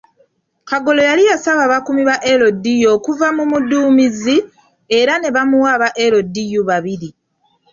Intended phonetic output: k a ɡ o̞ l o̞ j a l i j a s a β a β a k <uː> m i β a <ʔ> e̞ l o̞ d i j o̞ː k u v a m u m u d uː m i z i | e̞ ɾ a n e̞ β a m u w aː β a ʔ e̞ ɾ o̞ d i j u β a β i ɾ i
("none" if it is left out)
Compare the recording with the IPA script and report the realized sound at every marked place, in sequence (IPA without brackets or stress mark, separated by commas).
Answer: u, ʔ